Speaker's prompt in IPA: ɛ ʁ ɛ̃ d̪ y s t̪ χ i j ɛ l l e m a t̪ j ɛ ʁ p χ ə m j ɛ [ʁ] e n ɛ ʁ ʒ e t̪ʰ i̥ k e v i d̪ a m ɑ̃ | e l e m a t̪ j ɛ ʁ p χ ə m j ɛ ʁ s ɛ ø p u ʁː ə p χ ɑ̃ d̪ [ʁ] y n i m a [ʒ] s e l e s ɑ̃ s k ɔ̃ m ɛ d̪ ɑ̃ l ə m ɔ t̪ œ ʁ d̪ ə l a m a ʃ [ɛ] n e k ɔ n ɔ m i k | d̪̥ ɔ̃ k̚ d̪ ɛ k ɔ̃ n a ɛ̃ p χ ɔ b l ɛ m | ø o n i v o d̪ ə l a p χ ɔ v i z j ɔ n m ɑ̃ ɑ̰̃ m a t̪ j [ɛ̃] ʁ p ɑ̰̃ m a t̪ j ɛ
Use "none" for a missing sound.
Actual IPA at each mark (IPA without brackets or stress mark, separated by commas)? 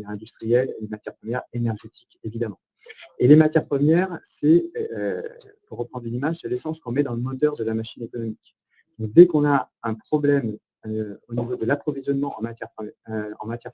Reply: ʁ, ʁ, ʒ, i, ɛ